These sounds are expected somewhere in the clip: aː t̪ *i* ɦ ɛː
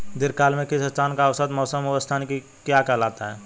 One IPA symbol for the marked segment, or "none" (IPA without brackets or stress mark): a